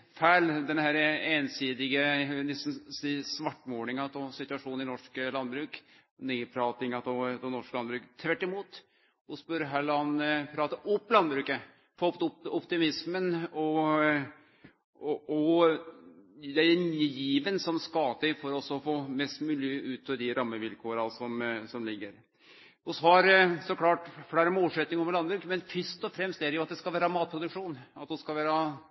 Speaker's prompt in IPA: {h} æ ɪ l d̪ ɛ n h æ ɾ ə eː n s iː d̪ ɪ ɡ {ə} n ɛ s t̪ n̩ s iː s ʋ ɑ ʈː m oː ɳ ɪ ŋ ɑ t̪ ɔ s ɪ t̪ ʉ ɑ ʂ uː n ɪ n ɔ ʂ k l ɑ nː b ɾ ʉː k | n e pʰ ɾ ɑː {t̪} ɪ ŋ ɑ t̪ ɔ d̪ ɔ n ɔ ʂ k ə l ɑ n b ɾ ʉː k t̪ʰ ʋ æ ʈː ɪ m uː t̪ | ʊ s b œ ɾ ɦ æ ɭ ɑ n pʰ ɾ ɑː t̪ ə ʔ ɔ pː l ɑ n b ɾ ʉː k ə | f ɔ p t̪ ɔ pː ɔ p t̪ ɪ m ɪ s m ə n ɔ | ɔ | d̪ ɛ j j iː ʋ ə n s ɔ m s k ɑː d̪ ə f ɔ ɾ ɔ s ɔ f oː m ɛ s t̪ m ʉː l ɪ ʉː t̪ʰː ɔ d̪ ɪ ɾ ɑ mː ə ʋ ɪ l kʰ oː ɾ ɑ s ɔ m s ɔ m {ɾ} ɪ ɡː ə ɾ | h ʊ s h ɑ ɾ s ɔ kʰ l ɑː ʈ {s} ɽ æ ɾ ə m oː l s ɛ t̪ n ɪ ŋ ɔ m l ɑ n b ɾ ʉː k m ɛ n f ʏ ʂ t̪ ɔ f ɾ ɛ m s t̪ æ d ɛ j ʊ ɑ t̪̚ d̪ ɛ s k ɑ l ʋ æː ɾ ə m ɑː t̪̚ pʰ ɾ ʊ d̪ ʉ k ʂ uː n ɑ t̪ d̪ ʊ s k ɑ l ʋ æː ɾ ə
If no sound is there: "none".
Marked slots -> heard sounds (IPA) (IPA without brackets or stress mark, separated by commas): f, ə, t̪, l, f